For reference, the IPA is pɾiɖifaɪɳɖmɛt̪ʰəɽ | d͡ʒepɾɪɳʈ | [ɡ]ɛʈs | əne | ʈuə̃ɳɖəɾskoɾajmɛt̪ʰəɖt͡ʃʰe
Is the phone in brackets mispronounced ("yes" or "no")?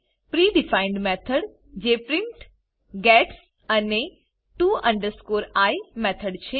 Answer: no